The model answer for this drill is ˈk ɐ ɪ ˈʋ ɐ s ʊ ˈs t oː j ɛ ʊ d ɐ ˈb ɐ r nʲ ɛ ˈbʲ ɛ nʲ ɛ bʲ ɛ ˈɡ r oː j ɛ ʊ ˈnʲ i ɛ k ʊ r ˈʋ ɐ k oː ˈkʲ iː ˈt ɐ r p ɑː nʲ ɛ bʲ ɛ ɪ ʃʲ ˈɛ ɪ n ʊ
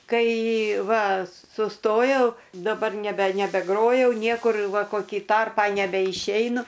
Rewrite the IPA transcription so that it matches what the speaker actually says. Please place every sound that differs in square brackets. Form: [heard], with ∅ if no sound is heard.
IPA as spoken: ˈk ɐ ɪ ˈʋ ɐ s ʊ ˈs t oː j ɛ ʊ d ɐ ˈb ɐ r nʲ ɛ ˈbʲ ɛ nʲ ɛ bʲ ɛ ˈɡ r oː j ɛ ʊ ˈnʲ i ɛ k ʊ r ˈʋ ɐ k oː ˈkʲ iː ˈt ɐ r p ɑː nʲ ɛ bʲ ɛ ɪ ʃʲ ˈɛ ɪ n ʊ